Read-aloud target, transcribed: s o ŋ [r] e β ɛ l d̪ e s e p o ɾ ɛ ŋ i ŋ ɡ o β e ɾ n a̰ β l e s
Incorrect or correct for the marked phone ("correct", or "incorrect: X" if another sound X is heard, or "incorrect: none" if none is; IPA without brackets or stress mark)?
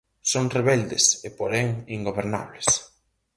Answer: correct